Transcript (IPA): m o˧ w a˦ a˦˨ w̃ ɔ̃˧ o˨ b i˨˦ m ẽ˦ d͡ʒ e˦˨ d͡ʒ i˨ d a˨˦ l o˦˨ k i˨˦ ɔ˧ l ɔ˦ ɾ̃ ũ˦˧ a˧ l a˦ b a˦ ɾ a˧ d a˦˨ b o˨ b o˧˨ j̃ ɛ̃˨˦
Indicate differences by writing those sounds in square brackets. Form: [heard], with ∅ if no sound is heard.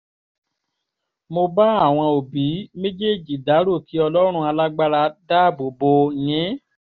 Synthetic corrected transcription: m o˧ [b] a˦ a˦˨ w̃ ɔ̃˧ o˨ b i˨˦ m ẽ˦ d͡ʒ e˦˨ d͡ʒ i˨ d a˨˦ [ɾ] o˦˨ k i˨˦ ɔ˧ l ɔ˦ ɾ̃ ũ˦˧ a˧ l a˦ [ɡ͡b] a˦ ɾ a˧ d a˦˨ b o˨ b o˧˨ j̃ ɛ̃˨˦

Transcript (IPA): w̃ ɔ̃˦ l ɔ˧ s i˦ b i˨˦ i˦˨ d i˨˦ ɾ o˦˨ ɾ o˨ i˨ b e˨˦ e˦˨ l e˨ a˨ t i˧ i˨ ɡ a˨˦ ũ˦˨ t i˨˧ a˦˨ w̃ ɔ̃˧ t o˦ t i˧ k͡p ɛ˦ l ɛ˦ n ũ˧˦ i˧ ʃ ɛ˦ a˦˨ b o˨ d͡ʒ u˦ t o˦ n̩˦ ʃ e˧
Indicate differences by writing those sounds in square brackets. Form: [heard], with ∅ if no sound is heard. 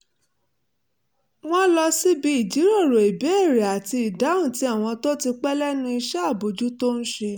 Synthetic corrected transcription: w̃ ɔ̃˦ l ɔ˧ s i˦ b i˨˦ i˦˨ [d͡ʒ] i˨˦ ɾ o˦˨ ɾ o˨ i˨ b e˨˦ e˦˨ [ɾ] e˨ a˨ t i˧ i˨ [d] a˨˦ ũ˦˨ t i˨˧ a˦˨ w̃ ɔ̃˧ t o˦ t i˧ k͡p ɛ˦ l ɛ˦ n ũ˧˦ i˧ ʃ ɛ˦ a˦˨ b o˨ d͡ʒ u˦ t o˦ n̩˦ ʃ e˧

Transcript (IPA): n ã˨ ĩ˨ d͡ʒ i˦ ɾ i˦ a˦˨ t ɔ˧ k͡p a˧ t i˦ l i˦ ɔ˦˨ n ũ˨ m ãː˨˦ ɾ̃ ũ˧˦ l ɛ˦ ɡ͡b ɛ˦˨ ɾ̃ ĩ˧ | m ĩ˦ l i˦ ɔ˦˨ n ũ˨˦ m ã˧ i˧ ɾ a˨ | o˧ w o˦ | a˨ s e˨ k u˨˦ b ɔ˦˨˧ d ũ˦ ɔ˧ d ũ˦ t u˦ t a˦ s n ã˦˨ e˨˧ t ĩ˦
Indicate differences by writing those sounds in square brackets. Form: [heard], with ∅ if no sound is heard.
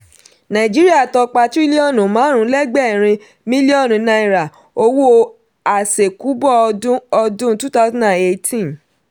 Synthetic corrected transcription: n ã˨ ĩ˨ d͡ʒ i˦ ɾ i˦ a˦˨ t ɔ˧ k͡p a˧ t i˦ l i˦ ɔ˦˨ n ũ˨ m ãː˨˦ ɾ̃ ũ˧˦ l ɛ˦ ɡ͡b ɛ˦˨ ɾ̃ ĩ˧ | m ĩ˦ l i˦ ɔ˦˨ n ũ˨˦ [n] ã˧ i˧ ɾ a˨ | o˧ w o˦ | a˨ s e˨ k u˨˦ b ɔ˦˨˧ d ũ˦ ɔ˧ d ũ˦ t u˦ t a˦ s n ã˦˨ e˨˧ t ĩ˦

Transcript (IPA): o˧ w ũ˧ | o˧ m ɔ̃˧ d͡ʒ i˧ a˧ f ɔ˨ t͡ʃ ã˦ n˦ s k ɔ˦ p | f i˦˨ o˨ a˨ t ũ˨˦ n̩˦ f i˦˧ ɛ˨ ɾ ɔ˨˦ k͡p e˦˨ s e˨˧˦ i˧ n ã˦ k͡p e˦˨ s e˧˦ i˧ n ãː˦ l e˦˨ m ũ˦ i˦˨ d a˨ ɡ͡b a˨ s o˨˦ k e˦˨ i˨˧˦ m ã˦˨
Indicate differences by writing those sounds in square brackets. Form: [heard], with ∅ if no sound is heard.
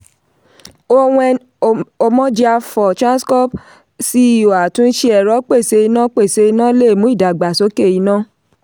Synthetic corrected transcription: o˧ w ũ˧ | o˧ m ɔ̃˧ d͡ʒ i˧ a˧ f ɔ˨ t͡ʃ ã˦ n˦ s k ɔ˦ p | [s] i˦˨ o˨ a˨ t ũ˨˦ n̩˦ [ʃ] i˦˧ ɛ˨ ɾ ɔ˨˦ k͡p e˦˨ s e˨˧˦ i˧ n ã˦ k͡p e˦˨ s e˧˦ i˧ n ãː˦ l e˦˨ m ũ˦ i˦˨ d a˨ ɡ͡b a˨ s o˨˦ k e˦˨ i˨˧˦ [n] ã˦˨

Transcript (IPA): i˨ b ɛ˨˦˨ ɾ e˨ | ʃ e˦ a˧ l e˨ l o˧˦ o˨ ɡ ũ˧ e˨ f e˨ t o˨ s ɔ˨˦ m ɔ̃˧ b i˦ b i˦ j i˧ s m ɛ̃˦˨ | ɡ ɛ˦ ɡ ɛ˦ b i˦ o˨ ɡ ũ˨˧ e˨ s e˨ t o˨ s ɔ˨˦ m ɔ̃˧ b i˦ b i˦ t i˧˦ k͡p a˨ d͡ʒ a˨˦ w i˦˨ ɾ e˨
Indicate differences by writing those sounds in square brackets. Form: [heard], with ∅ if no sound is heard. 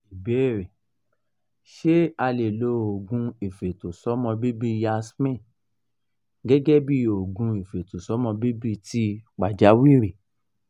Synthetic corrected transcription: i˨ b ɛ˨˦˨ ɾ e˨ | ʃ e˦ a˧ l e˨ l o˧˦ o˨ ɡ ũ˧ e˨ f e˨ t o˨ s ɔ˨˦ m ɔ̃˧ b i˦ b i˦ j [a˧] s m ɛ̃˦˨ | ɡ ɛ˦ ɡ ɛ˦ b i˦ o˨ ɡ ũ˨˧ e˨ [f] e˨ t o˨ s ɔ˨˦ m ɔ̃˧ b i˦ b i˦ t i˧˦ k͡p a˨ d͡ʒ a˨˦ w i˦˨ ɾ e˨

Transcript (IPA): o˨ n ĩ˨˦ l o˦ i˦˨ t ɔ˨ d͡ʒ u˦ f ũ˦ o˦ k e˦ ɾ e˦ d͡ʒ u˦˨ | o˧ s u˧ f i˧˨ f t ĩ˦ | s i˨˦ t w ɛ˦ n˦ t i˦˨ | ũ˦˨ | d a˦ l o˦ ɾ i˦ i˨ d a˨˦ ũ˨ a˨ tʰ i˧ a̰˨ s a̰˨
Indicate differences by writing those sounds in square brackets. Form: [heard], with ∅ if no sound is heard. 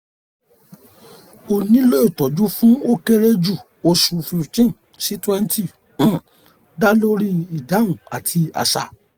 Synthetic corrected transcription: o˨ n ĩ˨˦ l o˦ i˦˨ t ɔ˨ d͡ʒ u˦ f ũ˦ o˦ k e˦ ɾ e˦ d͡ʒ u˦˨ | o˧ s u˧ f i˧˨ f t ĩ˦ | s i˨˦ t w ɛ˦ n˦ t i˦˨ | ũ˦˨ | d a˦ l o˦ ɾ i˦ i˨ d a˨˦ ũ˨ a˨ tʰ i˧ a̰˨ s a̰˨

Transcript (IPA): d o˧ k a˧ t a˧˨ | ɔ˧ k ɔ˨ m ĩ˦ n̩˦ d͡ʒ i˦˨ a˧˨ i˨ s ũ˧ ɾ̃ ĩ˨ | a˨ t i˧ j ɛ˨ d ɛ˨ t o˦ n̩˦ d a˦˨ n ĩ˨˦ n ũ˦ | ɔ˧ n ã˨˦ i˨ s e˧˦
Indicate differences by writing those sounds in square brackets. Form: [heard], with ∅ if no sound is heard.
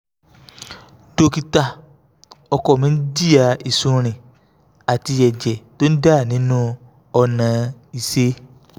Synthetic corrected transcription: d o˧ k [i˧] t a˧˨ | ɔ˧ k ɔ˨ m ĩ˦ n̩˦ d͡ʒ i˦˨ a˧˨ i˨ s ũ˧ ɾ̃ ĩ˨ | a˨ t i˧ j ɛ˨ [d͡ʒ] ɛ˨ t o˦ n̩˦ d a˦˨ n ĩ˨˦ n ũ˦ | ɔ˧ n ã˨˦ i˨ s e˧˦

